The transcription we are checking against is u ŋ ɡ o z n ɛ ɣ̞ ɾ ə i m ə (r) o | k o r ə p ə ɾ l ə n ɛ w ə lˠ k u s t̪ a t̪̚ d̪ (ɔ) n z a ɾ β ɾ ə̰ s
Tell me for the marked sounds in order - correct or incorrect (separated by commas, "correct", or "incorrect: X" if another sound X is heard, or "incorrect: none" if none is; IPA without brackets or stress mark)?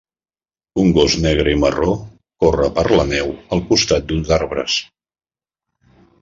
correct, incorrect: u